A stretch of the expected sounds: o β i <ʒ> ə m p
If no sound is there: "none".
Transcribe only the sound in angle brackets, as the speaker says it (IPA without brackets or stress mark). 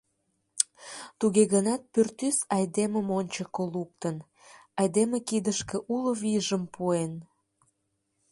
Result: ʒ